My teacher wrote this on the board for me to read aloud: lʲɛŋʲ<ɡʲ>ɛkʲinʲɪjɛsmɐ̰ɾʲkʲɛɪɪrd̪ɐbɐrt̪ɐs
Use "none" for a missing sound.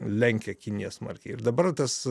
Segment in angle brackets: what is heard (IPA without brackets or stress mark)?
kʲ